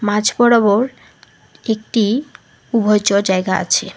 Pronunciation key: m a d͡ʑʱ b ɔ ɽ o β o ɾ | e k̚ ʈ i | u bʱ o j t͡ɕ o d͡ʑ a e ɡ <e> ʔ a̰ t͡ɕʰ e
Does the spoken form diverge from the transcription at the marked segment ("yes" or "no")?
yes